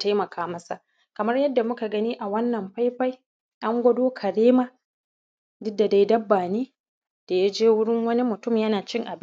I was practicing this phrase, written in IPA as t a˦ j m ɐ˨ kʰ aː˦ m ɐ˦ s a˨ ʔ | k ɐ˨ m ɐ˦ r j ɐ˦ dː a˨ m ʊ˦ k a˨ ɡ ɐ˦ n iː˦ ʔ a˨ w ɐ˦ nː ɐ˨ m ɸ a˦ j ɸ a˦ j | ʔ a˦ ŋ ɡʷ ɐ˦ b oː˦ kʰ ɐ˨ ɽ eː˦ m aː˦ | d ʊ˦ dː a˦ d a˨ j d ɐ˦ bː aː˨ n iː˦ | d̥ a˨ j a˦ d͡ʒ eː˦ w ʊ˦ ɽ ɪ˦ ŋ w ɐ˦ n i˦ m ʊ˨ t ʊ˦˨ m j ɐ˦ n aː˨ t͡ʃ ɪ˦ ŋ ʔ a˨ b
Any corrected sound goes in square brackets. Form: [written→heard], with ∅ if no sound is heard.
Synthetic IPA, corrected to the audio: t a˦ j m ɐ˨ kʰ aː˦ m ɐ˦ s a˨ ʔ | k ɐ˨ m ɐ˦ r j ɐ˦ dː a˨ m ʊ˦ k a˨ ɡ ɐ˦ n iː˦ ʔ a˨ w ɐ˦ nː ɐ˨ m ɸ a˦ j ɸ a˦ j | ʔ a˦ ŋ ɡʷ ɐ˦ [b→d] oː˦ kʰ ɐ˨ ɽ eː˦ m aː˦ | d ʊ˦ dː [a˦→a˨] d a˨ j d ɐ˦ bː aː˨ n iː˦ | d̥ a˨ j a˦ d͡ʒ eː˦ w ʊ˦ ɽ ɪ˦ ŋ w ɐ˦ n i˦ m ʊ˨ t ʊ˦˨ m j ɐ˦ n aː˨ t͡ʃ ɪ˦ ŋ ʔ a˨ b